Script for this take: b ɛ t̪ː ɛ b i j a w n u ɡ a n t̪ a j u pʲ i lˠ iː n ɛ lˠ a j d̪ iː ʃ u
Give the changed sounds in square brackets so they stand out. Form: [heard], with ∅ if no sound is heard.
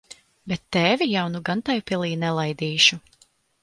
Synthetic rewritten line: b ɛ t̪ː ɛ [v] i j a w n u ɡ a n t̪ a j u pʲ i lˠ iː n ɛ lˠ a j d̪ iː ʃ u